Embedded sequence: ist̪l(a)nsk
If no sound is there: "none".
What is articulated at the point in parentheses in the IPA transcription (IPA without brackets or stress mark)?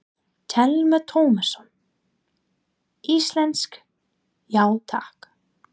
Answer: ɛ